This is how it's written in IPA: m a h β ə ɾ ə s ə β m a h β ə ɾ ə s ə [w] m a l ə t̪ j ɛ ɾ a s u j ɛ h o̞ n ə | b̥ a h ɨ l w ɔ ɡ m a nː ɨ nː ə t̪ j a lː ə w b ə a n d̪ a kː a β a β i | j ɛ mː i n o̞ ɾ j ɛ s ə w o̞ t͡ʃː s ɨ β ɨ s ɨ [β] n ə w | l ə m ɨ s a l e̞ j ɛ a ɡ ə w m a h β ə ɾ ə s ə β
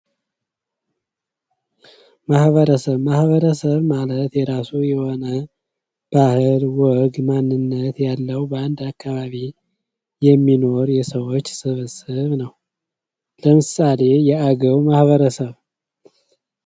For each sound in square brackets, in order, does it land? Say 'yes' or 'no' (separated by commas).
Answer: no, yes